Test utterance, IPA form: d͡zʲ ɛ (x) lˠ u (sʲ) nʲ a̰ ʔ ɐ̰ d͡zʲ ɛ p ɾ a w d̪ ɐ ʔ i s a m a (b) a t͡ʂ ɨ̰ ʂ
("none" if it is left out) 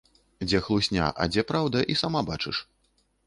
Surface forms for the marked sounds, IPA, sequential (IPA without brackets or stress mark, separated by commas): x, sʲ, b